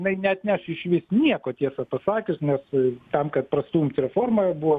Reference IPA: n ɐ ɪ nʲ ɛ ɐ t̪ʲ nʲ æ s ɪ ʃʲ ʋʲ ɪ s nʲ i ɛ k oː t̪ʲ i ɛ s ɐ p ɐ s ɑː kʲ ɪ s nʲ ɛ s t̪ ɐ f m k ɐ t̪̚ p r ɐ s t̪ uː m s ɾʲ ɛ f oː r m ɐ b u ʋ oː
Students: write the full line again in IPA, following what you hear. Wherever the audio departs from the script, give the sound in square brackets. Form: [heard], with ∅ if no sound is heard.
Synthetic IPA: n ɐ ɪ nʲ ɛ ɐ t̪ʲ nʲ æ [ʃ] ɪ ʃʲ ʋʲ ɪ s nʲ i ɛ k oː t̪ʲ i ɛ s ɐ p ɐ s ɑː kʲ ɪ s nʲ ɛ s t̪ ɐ [∅] m k ɐ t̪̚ p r ɐ s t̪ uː m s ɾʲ ɛ f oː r m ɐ b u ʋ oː